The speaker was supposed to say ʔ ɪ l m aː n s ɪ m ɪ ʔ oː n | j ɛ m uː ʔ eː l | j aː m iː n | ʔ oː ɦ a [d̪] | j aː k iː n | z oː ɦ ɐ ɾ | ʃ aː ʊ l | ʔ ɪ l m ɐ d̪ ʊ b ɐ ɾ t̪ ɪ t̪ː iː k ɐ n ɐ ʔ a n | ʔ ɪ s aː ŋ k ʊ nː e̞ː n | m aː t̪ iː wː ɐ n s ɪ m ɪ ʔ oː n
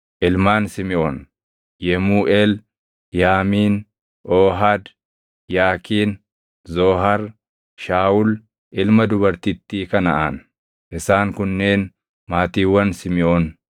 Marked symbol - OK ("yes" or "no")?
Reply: yes